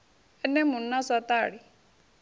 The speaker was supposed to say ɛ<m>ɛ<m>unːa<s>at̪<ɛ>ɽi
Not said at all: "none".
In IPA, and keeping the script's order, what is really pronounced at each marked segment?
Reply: n, m, s, a

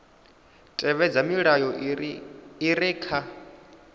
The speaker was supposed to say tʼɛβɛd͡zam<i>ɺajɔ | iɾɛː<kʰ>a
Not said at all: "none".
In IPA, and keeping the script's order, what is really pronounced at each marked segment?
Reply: i, kʰ

